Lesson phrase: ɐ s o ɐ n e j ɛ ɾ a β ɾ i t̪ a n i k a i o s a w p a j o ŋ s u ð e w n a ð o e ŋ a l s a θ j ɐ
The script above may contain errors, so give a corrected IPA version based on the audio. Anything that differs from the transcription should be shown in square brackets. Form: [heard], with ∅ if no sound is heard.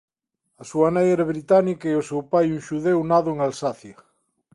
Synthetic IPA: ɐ s [u] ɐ n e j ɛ ɾ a β ɾ i t̪ a n i k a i o s [e] w p a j [u] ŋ [ʃ] u ð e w n a ð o e ŋ a l s a θ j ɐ